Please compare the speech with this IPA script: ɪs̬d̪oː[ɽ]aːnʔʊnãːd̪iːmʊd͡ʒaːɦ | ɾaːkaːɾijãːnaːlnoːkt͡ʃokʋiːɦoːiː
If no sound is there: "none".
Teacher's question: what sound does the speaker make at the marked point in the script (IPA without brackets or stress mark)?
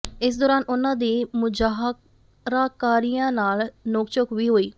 ɾ